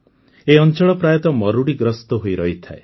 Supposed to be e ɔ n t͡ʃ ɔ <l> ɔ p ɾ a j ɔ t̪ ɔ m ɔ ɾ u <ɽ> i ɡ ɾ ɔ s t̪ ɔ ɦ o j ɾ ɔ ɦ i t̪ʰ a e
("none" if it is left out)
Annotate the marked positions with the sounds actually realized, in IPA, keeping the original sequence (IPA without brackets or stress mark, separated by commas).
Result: ɭ, ɽ